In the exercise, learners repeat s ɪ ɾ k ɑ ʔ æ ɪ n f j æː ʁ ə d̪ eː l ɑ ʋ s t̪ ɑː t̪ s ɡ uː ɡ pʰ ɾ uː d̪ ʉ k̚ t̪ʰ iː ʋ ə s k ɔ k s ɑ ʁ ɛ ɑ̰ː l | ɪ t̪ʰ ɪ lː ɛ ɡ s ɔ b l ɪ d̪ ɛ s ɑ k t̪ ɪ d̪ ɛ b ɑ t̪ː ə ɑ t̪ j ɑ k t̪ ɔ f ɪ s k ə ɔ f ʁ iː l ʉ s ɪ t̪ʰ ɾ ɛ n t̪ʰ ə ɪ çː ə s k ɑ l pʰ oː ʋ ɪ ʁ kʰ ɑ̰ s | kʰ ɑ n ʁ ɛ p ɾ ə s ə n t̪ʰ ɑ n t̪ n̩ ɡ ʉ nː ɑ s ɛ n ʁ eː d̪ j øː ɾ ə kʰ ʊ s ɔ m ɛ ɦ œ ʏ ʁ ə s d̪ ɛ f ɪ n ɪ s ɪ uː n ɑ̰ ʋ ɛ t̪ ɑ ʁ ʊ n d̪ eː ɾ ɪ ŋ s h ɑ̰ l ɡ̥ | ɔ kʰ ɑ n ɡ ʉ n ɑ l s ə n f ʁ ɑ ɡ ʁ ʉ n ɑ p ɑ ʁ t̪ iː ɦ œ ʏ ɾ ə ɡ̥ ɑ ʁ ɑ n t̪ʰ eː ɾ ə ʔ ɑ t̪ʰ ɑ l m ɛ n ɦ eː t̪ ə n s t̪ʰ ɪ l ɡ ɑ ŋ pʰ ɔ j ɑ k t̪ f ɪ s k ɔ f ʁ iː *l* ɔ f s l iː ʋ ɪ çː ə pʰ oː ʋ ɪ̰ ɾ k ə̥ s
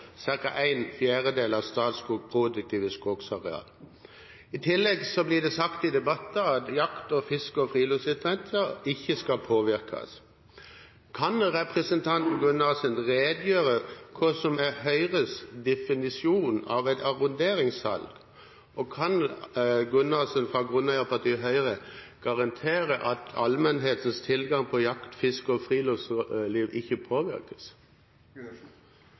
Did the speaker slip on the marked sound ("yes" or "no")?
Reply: no